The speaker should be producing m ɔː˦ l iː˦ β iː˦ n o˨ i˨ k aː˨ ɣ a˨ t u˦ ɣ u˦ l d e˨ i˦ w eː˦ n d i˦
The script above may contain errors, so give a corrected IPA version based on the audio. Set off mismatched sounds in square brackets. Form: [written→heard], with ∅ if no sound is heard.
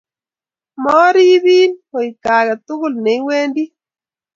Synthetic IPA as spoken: m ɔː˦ [l→ɾ] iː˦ β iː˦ n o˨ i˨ k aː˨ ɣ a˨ t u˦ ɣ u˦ l [d→n] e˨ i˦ w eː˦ n d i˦